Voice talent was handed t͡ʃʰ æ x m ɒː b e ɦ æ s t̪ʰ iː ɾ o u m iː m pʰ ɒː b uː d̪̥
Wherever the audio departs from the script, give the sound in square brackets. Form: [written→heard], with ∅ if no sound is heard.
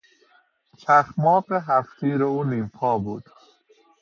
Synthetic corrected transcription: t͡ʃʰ æ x m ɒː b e ɦ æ [s→f] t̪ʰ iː ɾ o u [m→n] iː m pʰ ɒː b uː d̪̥